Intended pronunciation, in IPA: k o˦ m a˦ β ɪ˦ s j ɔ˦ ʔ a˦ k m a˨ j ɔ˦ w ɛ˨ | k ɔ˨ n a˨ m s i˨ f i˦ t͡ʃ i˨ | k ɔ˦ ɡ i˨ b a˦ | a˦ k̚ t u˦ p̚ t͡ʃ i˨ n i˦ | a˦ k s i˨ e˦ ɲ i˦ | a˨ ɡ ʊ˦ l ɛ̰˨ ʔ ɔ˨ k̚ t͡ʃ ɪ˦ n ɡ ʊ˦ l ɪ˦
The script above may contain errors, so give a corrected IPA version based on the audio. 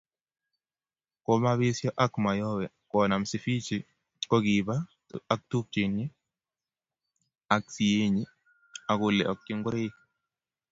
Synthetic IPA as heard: k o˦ m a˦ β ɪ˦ s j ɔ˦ ʔ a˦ k m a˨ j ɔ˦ w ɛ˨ | k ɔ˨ n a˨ m s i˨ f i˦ t͡ʃ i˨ | k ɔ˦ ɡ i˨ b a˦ | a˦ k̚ t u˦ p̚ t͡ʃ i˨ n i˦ | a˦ k s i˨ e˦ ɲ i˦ | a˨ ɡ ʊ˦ l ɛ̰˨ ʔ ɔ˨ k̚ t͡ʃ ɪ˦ ŋ ɡ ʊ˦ ɾ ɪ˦

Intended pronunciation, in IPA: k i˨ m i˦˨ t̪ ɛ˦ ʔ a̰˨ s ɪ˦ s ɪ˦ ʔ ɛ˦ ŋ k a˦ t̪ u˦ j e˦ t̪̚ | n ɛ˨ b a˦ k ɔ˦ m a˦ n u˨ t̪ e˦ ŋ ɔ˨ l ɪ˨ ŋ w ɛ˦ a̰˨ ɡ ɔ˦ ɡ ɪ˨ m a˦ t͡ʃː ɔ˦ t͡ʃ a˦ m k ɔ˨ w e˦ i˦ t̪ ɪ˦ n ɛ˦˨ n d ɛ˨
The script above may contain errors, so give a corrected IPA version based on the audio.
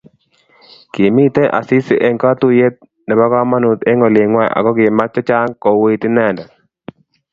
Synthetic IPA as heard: k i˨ m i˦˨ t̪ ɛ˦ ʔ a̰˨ s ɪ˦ s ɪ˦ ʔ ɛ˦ ŋ k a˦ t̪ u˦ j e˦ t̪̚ | n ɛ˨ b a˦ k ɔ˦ m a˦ n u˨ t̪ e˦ ŋ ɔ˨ l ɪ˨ ŋ w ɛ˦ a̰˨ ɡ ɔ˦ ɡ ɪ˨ m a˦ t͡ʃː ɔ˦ t͡ʃ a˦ ŋ k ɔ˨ w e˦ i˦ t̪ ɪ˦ n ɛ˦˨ n d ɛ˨

